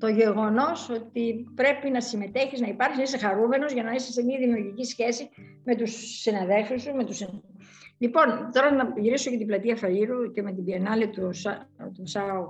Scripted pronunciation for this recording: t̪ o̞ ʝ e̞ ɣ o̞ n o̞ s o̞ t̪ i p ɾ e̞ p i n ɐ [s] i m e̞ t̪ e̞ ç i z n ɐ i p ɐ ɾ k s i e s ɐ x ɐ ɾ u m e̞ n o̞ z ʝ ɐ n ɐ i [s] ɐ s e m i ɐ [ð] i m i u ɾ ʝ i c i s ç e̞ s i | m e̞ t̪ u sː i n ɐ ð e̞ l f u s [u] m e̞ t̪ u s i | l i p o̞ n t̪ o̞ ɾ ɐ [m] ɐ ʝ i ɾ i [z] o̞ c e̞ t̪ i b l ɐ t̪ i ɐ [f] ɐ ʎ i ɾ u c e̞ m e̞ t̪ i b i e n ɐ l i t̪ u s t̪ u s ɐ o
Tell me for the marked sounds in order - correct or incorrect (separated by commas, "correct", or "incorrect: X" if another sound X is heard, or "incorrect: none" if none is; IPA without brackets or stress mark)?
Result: correct, correct, correct, correct, incorrect: n, incorrect: s, correct